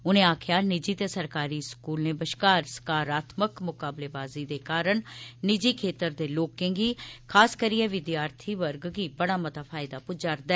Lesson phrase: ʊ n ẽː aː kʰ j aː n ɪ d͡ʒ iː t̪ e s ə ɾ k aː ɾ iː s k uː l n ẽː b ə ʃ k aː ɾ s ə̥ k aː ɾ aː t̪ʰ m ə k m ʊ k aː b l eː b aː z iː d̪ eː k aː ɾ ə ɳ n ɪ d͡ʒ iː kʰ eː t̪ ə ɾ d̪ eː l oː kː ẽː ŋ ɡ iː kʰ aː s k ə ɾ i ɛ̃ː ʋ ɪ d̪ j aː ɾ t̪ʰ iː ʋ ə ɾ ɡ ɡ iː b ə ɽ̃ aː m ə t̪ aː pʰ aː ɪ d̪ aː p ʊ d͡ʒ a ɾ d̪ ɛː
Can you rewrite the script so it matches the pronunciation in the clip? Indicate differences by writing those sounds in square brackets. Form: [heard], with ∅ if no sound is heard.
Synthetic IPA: ʊ n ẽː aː kʰ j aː n ɪ d͡ʒ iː t̪ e s ə ɾ k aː ɾ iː s k uː l n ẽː b ə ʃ k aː ɾ s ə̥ k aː ɾ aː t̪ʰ m ə k m ʊ k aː b l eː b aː z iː d̪ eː k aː ɾ ə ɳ n ɪ d͡ʒ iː kʰ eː t̪ ə ɾ d̪ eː l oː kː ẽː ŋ ɡ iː kʰ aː s k ə ɾ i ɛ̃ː ʋ ɪ d̪ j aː ɾ t̪ʰ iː ʋ ə ɾ ɡ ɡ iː b ə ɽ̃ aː m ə t̪ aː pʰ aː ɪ d̪ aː p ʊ d͡ʒ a ɾ d̪ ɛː

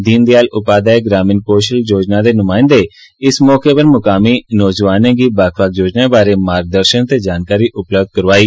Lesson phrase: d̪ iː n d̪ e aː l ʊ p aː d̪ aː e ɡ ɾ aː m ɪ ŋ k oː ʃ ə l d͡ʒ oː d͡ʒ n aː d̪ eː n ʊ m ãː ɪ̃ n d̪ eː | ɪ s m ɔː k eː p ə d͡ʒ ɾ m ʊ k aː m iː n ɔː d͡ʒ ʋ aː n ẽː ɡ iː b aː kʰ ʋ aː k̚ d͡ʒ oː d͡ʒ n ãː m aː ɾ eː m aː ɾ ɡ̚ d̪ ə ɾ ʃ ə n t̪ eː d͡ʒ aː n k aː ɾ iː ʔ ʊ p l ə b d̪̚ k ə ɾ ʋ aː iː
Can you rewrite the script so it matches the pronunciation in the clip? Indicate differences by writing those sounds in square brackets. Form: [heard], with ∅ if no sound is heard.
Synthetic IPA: d̪ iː n d̪ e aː l ʊ p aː d̪ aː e ɡ ɾ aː m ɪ [n] k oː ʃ ə l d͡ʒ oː d͡ʒ n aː d̪ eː n ʊ m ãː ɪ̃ n d̪ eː | ɪ s m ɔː k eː p ə [∅] ɾ m ʊ k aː m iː n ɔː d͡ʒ ʋ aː n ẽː ɡ iː b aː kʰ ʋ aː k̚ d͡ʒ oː d͡ʒ n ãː [b] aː ɾ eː m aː ɾ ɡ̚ d̪ ə ɾ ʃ ə n t̪ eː d͡ʒ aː n k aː ɾ iː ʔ ʊ p l ə b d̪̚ k ə ɾ ʋ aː iː

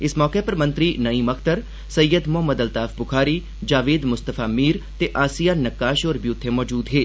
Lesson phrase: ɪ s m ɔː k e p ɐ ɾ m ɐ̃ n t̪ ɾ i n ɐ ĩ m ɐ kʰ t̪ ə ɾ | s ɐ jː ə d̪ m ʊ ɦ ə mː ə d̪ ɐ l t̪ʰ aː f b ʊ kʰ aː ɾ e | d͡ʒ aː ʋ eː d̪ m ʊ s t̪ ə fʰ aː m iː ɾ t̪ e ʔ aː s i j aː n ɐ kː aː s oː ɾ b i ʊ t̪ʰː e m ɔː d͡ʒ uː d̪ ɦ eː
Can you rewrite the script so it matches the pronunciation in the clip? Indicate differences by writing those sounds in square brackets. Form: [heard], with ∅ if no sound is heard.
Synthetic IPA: ɪ s m ɔː k e p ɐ ɾ m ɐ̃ n t̪ ɾ i n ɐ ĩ m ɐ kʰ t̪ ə ɾ | s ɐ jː ə d̪ m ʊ ɦ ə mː ə d̪ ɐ l [t̪] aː f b ʊ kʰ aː ɾ [i] | d͡ʒ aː ʋ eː d̪ m ʊ s t̪ ə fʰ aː m iː ɾ t̪ e ʔ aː s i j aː n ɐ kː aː [ʃ] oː ɾ b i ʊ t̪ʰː e m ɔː d͡ʒ uː d̪ ɦ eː

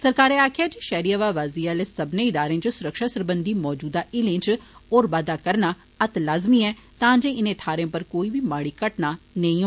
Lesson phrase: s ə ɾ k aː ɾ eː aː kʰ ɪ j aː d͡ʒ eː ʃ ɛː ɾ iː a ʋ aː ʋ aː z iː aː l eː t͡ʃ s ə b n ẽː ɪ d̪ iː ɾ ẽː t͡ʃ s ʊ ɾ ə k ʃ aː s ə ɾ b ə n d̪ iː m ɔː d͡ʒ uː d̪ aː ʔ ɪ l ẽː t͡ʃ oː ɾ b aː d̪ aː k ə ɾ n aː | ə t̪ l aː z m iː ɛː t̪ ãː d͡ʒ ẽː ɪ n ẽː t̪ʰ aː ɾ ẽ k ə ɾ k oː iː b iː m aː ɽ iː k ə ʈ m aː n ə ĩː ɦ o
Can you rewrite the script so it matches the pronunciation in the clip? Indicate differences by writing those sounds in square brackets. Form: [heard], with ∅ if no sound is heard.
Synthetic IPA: s ə ɾ k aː ɾ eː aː kʰ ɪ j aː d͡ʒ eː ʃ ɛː ɾ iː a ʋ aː ʋ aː z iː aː l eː [∅] s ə b n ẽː ɪ d̪ [aː] ɾ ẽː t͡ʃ s ʊ ɾ ə k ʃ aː s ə ɾ b ə n d̪ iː m ɔː d͡ʒ uː d̪ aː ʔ ɪ l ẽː t͡ʃ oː ɾ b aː d̪ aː k ə ɾ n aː | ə t̪ l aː z m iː ɛː t̪ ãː d͡ʒ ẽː ɪ n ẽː t̪ʰ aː ɾ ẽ [p] ə ɾ k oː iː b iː m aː ɽ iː k ə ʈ [n] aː n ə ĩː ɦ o

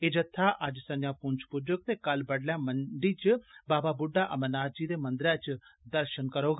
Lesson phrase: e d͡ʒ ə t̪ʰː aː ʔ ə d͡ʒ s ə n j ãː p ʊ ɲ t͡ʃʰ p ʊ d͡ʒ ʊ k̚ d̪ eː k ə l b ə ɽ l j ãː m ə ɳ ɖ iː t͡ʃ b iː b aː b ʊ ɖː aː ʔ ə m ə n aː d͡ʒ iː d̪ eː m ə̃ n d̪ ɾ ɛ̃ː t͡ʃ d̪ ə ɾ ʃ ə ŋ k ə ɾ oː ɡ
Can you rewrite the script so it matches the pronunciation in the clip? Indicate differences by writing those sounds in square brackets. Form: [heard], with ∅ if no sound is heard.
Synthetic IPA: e d͡ʒ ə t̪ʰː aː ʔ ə d͡ʒ s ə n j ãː p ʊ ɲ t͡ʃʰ p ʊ d͡ʒ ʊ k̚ [t̪] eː k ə l b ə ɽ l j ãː m ə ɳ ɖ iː t͡ʃ b [aː] b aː b ʊ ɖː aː ʔ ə m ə n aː d͡ʒ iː d̪ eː m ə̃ n d̪ ɾ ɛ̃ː t͡ʃ d̪ ə ɾ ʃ ə [n] k ə ɾ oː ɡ

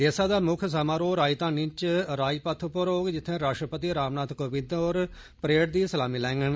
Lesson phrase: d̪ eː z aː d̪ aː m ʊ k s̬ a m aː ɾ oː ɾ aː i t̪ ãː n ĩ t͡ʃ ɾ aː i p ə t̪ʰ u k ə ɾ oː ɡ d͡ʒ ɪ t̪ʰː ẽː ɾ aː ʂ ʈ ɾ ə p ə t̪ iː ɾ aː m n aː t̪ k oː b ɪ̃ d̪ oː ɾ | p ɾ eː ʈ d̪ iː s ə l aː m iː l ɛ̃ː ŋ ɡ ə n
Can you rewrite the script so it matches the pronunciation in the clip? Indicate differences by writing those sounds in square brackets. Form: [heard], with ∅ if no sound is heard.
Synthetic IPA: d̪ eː [s] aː d̪ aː m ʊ [kʰ] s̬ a m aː ɾ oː ɾ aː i t̪ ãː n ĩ t͡ʃ ɾ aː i p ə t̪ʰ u [p] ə ɾ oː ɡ d͡ʒ ɪ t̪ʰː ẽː ɾ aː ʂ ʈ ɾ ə p ə t̪ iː ɾ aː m n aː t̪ k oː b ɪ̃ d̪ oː ɾ | p ɾ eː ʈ d̪ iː s ə l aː m iː l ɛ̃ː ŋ ɡ ə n

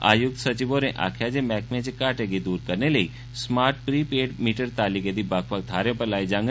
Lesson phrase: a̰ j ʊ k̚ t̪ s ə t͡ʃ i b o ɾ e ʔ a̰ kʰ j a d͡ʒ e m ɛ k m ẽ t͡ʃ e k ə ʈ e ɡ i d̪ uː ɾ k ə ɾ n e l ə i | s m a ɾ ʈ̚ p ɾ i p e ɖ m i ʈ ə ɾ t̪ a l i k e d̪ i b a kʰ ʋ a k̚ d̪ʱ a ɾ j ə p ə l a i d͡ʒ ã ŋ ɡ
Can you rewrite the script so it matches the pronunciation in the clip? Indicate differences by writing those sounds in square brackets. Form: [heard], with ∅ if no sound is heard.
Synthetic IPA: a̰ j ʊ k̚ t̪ s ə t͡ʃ i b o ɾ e ʔ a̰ kʰ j a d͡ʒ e m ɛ k m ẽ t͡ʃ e k [a] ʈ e ɡ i d̪ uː ɾ k ə ɾ n e l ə i | s m a ɾ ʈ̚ p ɾ i p e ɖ m i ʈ ə ɾ t̪ a l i k e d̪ i b a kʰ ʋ a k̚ d̪ʱ a ɾ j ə p ə l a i d͡ʒ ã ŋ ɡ

